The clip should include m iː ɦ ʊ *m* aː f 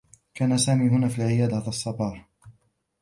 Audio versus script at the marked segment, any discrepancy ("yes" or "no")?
yes